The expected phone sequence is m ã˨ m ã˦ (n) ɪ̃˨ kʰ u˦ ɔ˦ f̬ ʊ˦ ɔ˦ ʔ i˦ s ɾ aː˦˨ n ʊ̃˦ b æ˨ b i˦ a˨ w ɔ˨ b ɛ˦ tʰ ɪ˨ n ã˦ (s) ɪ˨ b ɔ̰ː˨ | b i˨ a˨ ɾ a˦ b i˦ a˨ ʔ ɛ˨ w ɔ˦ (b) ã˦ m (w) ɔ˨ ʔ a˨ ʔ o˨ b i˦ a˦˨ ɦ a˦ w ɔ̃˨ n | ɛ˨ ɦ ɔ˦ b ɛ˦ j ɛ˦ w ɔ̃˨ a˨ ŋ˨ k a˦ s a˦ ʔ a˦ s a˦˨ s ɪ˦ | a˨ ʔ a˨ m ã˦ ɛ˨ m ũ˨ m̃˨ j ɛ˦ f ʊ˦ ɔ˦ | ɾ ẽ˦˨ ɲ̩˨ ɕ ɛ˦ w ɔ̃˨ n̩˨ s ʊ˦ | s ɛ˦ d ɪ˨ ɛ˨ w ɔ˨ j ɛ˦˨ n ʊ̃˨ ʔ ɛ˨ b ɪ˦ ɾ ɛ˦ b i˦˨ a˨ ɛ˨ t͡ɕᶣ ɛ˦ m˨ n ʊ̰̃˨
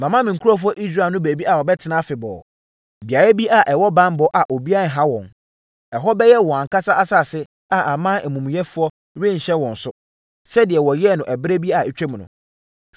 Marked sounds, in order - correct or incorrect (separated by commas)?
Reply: incorrect, incorrect, correct, incorrect